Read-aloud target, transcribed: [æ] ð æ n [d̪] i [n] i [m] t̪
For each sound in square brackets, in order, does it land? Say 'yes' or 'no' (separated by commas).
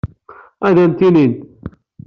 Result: yes, no, yes, no